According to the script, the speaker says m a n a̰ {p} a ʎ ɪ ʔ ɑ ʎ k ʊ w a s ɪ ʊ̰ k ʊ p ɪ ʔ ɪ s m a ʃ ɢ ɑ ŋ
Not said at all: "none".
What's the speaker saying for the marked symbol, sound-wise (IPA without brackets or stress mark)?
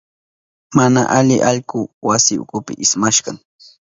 ʔ